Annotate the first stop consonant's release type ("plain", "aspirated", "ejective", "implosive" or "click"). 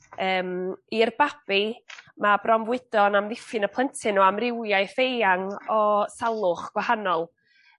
plain